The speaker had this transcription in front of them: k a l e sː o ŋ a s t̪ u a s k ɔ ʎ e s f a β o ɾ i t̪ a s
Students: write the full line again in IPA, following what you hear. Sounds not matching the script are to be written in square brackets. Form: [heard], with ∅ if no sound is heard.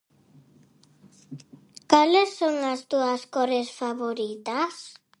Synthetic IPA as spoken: k a l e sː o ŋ a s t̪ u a s k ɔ [ɾ] e s f a β o ɾ i t̪ a s